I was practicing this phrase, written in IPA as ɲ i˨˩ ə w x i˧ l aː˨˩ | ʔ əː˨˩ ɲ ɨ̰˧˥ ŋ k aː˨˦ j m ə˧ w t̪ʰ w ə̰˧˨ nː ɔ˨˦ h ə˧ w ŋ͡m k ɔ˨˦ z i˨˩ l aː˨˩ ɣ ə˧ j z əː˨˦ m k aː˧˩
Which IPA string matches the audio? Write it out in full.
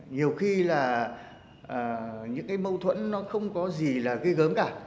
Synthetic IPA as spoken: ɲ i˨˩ ə w x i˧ l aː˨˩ | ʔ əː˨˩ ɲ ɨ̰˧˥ ŋ k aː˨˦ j m ə˧ w t̪ʰ w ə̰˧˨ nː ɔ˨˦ x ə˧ w ŋ͡m k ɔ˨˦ z i˨˩ l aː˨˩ ɣ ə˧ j ɣ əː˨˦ m k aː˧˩